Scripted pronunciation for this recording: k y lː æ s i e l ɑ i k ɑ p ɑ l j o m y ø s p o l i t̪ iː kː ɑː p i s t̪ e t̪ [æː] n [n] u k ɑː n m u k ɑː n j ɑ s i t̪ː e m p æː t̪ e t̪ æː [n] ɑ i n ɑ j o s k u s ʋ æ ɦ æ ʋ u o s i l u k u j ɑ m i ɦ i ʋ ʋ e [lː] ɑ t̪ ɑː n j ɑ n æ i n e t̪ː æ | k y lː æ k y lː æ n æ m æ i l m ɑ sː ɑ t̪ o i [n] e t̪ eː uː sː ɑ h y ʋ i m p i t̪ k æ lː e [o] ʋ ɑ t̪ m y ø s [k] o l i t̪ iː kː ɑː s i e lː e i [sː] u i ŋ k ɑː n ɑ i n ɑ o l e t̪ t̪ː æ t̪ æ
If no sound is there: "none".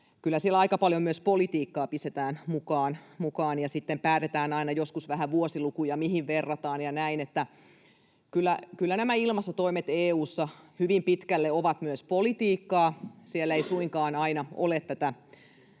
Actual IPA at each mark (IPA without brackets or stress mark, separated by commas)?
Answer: æː, m, n, rː, m, o, p, s